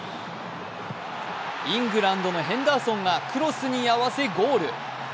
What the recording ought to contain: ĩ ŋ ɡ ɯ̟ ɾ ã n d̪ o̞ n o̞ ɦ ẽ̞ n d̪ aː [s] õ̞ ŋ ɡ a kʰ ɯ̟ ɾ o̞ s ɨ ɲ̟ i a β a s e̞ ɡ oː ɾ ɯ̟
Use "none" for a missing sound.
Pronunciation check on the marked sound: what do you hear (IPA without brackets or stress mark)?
s